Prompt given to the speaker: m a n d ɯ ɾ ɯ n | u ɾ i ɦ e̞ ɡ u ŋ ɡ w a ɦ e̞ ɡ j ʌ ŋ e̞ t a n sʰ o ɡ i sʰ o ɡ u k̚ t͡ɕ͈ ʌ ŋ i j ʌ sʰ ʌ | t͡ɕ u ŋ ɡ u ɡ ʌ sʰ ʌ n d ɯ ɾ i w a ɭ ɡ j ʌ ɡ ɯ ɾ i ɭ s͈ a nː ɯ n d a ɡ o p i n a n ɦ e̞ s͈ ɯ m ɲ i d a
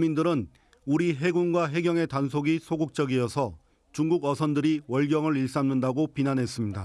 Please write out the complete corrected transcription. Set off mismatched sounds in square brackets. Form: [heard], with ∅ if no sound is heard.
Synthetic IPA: m [i] n d ɯ ɾ ɯ n | u ɾ i ɦ e̞ ɡ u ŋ ɡ w a ɦ e̞ ɡ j ʌ ŋ e̞ t a n sʰ o ɡ i sʰ o ɡ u k̚ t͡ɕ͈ ʌ [ɡ] i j ʌ sʰ ʌ | t͡ɕ u ŋ ɡ u ɡ ʌ sʰ ʌ n d ɯ ɾ i w [ʌ] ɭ ɡ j ʌ [ŋ] ɯ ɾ i ɭ s͈ a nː ɯ n d a ɡ o p i n a n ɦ e̞ s͈ ɯ m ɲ i d a